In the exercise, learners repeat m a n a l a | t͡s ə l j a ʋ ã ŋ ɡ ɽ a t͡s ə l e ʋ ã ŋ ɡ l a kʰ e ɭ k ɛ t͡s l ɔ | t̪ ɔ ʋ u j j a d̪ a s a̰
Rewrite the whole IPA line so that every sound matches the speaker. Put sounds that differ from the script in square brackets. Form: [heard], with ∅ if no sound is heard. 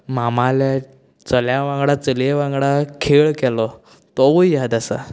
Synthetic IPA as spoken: m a [m] a l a | t͡s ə l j a ʋ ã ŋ ɡ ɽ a t͡s ə l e ʋ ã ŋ ɡ [ɽ] a kʰ e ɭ k ɛ [∅] l ɔ | t̪ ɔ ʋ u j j a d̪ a s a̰